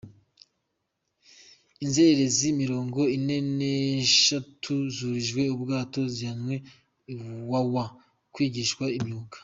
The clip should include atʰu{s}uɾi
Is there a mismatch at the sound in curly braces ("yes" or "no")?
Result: yes